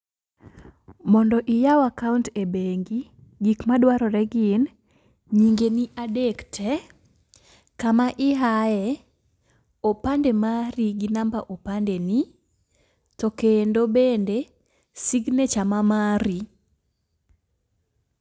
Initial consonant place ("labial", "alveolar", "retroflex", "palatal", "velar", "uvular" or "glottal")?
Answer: labial